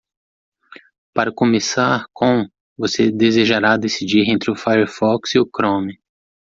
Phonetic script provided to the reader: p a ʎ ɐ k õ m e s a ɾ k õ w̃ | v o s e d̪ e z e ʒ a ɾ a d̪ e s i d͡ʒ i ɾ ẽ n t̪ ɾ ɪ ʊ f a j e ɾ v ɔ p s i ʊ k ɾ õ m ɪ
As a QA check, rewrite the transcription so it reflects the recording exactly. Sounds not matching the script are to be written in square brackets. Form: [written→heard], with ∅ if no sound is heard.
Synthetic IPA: p a [ʎ→ɾ] ɐ k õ m e s a ɾ k õ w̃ | v o s e d̪ e z e ʒ a ɾ a d̪ e s i d͡ʒ i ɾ ẽ n t̪ ɾ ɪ ʊ f a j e ɾ [v→f] ɔ [p→k] s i ʊ k ɾ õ m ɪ